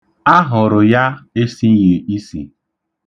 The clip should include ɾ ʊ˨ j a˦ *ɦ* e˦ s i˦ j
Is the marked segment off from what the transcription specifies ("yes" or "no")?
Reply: yes